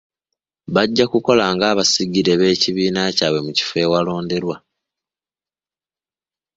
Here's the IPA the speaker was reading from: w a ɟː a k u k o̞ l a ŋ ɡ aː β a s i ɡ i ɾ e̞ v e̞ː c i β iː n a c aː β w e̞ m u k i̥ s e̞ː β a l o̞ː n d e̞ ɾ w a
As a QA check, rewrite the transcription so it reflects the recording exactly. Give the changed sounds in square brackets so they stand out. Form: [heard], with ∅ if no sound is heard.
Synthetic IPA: [β] a ɟː a k u k o̞ l a ŋ ɡ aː β a s i ɡ i ɾ e̞ [β] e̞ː c i β iː n a c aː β w e̞ m u [c] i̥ [f] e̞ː [w] a l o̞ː n d e̞ ɾ w a